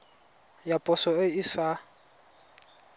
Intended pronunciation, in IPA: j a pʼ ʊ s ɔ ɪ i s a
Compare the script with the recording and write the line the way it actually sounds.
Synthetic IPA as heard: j a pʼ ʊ s ɔ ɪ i s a